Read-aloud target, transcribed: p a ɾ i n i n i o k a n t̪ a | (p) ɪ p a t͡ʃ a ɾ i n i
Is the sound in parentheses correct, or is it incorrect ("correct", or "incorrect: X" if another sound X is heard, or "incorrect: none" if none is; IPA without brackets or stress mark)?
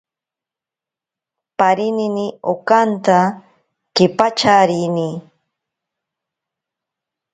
incorrect: k